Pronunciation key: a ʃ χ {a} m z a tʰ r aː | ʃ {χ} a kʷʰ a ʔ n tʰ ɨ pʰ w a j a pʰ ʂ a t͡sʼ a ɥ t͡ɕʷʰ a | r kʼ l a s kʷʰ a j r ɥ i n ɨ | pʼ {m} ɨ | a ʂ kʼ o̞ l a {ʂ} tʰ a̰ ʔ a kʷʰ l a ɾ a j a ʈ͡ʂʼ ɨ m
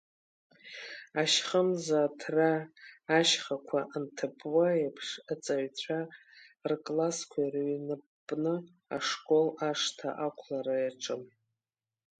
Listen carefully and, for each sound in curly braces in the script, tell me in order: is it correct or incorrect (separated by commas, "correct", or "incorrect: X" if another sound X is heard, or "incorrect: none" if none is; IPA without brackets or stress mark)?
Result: incorrect: ə, correct, incorrect: n, correct